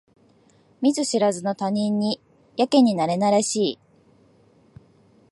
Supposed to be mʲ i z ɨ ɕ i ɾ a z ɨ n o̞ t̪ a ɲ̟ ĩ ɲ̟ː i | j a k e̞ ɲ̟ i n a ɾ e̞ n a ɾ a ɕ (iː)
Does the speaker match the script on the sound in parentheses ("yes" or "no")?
yes